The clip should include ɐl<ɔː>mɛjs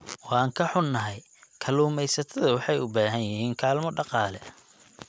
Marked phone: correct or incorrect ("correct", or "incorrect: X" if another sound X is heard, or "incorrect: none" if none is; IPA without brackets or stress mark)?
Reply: incorrect: uː